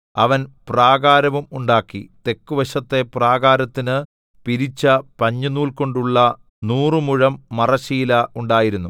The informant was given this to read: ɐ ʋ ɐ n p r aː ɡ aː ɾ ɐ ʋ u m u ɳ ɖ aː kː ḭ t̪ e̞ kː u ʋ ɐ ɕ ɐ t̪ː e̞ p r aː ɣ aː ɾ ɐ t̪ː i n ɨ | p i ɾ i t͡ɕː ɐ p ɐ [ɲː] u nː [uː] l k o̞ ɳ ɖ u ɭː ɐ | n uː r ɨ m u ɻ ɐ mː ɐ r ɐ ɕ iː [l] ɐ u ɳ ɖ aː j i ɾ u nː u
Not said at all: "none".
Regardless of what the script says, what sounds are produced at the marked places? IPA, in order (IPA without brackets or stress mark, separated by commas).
ɲː, uː, l